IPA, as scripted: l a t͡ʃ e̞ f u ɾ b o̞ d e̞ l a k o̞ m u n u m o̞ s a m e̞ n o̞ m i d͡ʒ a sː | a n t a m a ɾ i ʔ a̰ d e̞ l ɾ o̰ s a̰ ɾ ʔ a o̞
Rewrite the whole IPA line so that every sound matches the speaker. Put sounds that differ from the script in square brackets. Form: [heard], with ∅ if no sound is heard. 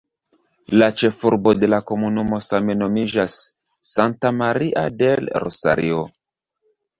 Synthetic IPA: l a t͡ʃ e̞ f u ɾ b o̞ d e̞ l a k o̞ m u n u m o̞ s a m e̞ n o̞ m i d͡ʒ a sː | a n t a m a ɾ i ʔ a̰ d e̞ l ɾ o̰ s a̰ ɾ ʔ [i] o̞

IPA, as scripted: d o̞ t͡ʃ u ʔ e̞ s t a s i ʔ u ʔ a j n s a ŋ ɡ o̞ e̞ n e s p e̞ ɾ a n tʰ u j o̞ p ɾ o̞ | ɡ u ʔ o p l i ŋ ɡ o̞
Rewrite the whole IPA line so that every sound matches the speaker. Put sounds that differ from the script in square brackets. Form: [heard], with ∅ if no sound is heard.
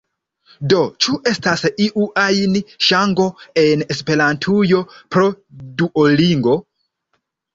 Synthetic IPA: d o̞ t͡ʃ u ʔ e̞ s t a s i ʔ u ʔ a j n [ʃ] a ŋ ɡ o̞ e̞ n e s p e̞ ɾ a n tʰ u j o̞ p ɾ o̞ | [d] u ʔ o [∅] l i ŋ ɡ o̞

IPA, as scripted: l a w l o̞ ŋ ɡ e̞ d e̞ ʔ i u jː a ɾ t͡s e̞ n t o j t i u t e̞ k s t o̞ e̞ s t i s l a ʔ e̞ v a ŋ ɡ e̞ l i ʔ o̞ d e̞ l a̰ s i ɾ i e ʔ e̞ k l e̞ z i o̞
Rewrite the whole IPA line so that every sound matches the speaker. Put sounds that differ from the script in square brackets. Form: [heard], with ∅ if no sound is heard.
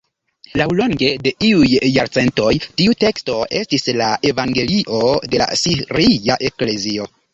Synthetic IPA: l a w l o̞ ŋ ɡ e̞ d e̞ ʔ i u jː a ɾ t͡s e̞ n t o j t i u t e̞ k s t o̞ e̞ s t i s l a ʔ e̞ v a ŋ ɡ e̞ l i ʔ o̞ d e̞ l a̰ s i ɾ i [a] ʔ e̞ k l e̞ z i o̞

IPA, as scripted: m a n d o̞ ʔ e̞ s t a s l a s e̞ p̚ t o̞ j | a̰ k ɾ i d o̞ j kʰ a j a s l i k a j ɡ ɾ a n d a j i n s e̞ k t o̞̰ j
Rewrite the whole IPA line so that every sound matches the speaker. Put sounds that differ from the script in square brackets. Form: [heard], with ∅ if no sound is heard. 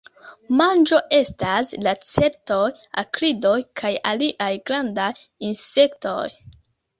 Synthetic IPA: m a n [d͡ʒ] o̞ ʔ e̞ s t a s l a [t͡s] e̞ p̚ t o̞ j | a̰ k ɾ i d o̞ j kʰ a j a [∅] l i [ʔ] a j ɡ ɾ a n d a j i n s e̞ k t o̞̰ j

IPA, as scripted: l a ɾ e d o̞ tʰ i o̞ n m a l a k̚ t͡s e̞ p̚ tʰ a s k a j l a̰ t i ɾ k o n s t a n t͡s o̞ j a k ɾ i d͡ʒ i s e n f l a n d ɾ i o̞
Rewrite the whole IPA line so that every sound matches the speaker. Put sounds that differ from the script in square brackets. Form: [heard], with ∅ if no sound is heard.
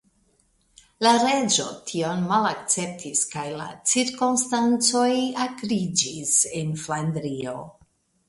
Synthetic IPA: l a ɾ e [d͡ʒ] o̞ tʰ i o̞ n m a l a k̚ t͡s e̞ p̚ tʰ [i] s k a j l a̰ [t͡s] i ɾ k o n s t a n t͡s o̞ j a k ɾ i d͡ʒ i s e n f l a n d ɾ i o̞

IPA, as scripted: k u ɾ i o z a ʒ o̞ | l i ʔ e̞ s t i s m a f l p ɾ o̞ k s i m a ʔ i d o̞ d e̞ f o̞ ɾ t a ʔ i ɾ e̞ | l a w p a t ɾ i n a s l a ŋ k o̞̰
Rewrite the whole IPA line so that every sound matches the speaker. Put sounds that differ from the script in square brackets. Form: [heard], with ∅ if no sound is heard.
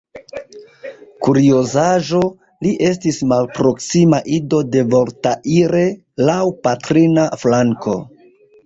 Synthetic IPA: k u ɾ i o z a ʒ o̞ | l i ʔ e̞ s t i s m a [∅] l p ɾ o̞ k s i m a ʔ i d o̞ d e̞ [v] o̞ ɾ t a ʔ i ɾ e̞ | l a w p a t ɾ i n a [f] l a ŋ k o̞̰

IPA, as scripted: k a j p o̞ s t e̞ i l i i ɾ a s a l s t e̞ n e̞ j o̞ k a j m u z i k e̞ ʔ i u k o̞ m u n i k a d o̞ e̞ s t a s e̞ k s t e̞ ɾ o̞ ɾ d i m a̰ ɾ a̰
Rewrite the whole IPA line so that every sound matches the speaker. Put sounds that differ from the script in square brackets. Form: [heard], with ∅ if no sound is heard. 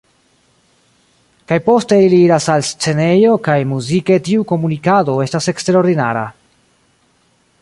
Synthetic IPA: k a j p o̞ s t e̞ i l i i ɾ a s a l s [t͡s] e̞ n e̞ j o̞ k a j m u z i k e̞ [t] i u k o̞ m u n i k a d o̞ e̞ s t a s e̞ k s t e̞ ɾ o̞ ɾ d i [n] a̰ ɾ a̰

